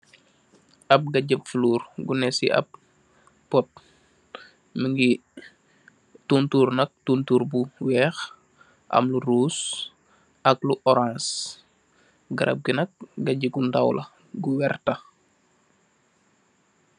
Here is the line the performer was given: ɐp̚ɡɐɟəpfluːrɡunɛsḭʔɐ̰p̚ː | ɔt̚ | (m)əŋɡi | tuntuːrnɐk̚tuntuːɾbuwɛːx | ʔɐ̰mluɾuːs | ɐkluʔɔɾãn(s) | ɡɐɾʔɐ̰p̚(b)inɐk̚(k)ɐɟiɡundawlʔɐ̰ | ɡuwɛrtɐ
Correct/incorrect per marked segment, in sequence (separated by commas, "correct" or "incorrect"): correct, correct, incorrect, incorrect